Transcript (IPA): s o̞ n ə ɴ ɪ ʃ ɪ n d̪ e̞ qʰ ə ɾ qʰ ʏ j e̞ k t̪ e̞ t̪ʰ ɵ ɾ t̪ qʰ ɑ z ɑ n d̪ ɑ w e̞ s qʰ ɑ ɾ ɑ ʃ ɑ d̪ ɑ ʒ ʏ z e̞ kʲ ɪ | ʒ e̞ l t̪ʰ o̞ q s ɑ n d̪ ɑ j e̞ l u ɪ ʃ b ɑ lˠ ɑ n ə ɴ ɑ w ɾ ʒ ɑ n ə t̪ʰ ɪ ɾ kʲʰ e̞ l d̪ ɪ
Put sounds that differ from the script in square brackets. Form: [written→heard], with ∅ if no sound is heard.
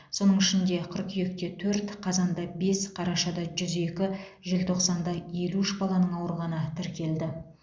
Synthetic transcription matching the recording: s o̞ n ə ɴ ɪ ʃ ɪ n d̪ e̞ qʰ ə ɾ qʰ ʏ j e̞ k t̪ e̞ t̪ʰ ɵ ɾ t̪ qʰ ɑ z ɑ n d̪ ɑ [w→b] e̞ s qʰ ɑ ɾ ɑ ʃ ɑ d̪ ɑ ʒ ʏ z e̞ kʲ ɪ | ʒ e̞ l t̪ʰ o̞ q s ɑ n d̪ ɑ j e̞ l u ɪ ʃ b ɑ lˠ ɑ n ə ɴ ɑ w ɾ [ʒ→ʁ] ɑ n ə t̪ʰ ɪ ɾ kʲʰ e̞ l d̪ ɪ